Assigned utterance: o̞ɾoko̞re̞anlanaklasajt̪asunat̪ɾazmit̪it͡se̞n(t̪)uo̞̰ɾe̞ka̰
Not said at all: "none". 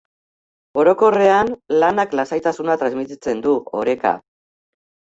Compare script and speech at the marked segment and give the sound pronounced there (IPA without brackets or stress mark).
d̪